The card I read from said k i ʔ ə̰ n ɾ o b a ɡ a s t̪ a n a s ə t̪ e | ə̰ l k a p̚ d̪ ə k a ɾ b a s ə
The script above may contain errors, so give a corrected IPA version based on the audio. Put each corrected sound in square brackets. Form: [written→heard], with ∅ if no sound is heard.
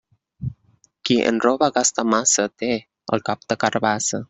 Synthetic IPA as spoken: k i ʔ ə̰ n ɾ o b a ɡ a s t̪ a [n→m] a s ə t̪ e | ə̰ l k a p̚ [d̪→t̪] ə k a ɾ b a s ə